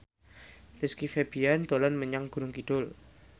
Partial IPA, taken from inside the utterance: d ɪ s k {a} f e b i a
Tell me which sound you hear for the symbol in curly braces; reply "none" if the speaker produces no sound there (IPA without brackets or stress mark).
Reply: i